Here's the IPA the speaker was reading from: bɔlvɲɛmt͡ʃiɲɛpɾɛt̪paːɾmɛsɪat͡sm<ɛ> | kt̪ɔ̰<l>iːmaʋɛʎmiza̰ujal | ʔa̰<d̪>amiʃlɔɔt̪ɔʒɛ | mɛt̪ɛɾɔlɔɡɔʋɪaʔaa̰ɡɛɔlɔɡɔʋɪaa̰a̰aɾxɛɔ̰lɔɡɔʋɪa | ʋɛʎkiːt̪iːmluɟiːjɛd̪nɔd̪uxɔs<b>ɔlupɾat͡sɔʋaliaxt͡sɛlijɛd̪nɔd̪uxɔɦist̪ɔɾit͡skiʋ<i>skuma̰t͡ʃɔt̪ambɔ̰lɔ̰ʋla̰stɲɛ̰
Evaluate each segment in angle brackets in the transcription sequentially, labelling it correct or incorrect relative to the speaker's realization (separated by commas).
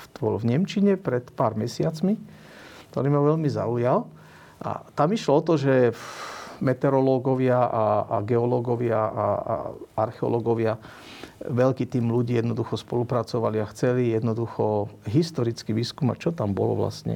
incorrect, incorrect, incorrect, incorrect, incorrect